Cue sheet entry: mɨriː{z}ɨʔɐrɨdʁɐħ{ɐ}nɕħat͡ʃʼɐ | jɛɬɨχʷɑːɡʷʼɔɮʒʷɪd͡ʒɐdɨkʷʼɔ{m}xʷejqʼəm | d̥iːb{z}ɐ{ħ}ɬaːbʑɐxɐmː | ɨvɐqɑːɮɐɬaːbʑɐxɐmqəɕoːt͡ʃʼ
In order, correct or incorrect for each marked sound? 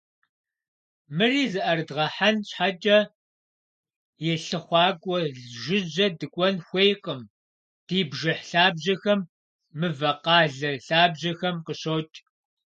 correct, incorrect, incorrect, incorrect, correct

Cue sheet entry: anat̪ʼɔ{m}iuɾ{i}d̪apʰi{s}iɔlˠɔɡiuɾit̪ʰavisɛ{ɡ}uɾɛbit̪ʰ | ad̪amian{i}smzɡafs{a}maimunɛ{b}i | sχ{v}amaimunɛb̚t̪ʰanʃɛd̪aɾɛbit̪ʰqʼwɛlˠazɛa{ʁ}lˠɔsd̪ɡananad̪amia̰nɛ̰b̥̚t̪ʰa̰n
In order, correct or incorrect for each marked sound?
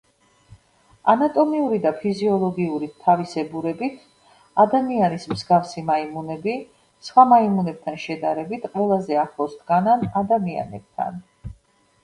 correct, correct, incorrect, incorrect, correct, incorrect, correct, incorrect, incorrect

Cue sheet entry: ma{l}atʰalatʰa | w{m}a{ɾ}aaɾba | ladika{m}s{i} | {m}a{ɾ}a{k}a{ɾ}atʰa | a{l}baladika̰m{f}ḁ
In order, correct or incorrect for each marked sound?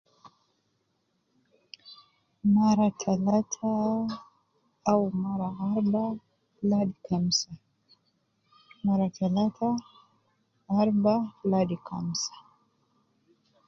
incorrect, correct, correct, correct, incorrect, correct, correct, incorrect, incorrect, incorrect, incorrect

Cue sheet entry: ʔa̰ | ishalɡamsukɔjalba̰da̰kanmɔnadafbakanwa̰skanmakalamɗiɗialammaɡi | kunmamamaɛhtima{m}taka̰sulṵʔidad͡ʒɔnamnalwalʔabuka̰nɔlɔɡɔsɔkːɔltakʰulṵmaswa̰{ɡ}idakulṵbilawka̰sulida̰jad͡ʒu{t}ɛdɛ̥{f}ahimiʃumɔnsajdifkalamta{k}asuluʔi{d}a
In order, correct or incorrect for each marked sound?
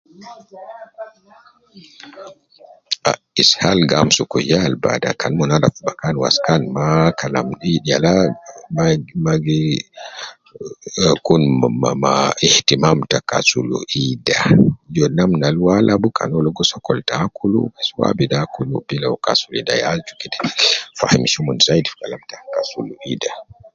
correct, incorrect, incorrect, correct, correct, correct

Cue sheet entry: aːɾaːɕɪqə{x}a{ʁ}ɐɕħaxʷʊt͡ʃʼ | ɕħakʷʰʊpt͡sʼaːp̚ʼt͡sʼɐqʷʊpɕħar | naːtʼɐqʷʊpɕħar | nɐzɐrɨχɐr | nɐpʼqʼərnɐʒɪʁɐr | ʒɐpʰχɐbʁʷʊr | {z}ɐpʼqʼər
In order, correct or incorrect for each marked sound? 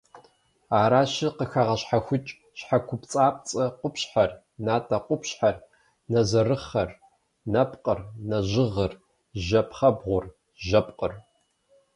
correct, correct, incorrect

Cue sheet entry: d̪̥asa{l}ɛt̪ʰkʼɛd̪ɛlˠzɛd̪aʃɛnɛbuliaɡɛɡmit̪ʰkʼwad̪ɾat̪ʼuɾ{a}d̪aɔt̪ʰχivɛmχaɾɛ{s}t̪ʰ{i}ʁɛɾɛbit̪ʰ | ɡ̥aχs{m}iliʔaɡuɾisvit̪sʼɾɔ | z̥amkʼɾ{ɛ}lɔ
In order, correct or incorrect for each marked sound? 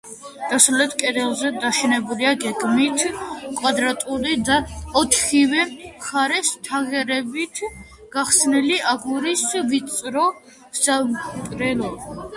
correct, incorrect, correct, incorrect, incorrect, correct

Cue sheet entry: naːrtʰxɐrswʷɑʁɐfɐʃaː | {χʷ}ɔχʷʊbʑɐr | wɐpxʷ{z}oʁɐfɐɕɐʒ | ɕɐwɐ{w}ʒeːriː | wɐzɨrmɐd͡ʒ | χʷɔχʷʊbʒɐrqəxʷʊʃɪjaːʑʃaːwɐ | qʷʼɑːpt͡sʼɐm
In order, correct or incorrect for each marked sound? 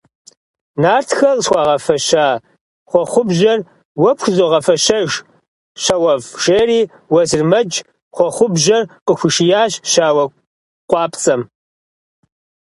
correct, correct, incorrect

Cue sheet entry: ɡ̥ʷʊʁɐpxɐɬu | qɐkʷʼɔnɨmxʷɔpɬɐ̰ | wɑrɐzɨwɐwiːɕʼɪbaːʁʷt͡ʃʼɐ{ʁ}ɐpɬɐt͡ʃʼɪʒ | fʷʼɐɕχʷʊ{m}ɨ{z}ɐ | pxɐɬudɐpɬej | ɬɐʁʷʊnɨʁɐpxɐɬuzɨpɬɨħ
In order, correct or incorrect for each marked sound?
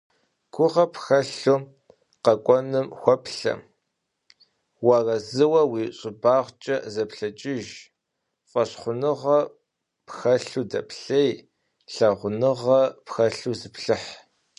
incorrect, incorrect, incorrect

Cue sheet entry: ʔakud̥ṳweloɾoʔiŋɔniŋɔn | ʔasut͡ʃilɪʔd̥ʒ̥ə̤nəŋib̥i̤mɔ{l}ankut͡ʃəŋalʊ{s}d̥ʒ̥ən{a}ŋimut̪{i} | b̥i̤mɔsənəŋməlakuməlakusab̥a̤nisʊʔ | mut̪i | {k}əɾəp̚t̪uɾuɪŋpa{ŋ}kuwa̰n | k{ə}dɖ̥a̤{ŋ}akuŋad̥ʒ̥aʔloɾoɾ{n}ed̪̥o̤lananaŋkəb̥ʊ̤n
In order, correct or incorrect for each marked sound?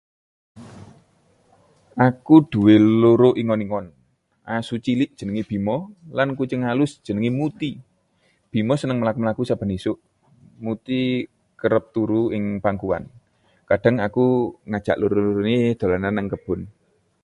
correct, correct, incorrect, correct, correct, correct, incorrect, correct, correct

